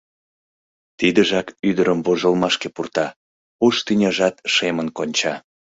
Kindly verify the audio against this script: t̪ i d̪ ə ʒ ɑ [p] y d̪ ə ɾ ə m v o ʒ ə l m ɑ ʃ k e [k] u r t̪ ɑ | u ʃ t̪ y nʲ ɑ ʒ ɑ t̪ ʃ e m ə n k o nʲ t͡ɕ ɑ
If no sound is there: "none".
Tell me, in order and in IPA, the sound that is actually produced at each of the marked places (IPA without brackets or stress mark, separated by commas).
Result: k, p